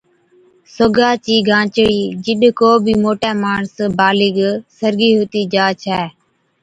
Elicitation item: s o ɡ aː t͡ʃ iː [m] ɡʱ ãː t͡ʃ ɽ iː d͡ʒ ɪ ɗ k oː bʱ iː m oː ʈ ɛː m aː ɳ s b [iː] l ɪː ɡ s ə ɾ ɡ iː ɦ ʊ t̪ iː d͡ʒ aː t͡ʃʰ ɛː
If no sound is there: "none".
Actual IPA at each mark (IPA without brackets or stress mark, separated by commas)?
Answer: none, aː